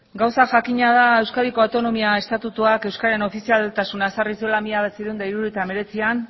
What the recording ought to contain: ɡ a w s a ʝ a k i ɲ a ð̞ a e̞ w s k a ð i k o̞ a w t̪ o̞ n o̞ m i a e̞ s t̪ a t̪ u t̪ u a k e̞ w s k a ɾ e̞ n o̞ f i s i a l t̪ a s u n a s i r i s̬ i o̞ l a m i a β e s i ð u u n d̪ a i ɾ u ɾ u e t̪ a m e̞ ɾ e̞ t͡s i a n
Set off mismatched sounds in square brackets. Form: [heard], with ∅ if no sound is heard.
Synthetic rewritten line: ɡ a w s a ʝ a k i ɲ a ð̞ a e̞ w s k a ð i k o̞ a w t̪ o̞ n o̞ m i a e̞ s t̪ a t̪ u t̪ u a k e̞ w s k a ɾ e̞ n o̞ f i s i a l t̪ a s u n a s [a] r i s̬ i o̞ l a m i a β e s i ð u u n d̪ a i ɾ u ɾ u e t̪ a m e̞ ɾ e̞ t͡s i a n